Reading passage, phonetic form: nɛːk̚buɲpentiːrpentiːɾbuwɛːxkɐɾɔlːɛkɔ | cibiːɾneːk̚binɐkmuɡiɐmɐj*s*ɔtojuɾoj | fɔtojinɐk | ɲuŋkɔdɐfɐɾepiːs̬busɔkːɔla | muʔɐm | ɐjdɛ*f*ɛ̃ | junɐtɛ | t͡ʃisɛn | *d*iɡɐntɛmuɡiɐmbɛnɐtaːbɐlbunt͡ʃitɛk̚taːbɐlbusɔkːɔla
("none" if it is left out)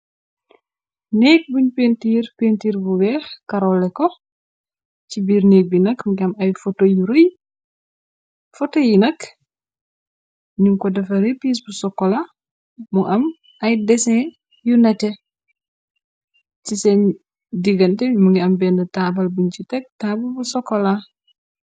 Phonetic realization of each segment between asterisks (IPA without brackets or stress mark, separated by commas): f, s, d